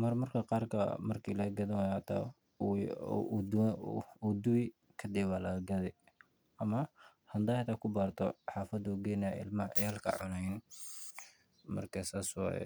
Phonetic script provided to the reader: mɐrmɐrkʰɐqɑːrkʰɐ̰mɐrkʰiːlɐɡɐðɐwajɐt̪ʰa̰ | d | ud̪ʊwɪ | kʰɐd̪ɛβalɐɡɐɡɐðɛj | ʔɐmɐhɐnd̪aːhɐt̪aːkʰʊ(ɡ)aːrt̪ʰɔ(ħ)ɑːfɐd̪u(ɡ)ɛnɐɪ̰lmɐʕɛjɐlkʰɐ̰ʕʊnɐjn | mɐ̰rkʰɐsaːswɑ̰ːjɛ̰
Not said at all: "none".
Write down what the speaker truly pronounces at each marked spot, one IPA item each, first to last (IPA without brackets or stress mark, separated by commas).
b, ħ, ɡ